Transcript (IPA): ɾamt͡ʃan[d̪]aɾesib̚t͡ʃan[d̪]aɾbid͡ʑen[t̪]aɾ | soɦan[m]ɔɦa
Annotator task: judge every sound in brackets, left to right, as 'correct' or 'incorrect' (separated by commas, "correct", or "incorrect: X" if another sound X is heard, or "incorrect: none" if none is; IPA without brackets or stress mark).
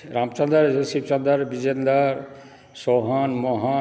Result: correct, correct, incorrect: d̪, correct